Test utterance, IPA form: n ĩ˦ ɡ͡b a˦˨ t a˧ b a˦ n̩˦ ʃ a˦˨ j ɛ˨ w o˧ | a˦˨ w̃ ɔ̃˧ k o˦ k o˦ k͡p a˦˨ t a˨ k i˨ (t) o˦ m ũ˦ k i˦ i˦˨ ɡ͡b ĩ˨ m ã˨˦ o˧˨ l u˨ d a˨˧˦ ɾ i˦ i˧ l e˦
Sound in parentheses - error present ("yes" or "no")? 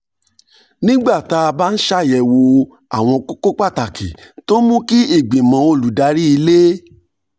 no